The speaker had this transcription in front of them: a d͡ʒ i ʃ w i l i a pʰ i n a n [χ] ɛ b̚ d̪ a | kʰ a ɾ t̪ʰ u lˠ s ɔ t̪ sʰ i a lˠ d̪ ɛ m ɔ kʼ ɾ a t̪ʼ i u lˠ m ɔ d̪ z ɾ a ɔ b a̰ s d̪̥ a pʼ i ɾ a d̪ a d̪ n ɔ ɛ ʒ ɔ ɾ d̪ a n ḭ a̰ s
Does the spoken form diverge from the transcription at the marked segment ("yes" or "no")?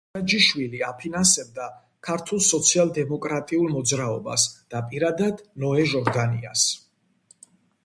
yes